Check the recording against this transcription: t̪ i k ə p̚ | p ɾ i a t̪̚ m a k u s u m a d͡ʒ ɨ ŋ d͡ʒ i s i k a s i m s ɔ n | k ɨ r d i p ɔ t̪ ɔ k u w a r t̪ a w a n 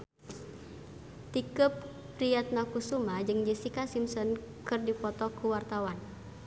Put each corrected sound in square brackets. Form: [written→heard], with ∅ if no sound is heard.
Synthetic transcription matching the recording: t̪ i k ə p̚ | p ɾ i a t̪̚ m a k u s u m a d͡ʒ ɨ ŋ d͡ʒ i s i k a s i m s ɔ n | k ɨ r d i p ɔ t̪ ɔ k u w a r t̪ a w a n